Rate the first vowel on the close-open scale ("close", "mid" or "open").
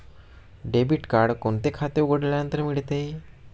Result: mid